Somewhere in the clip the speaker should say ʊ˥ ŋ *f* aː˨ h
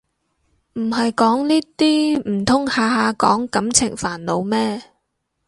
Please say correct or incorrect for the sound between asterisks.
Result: incorrect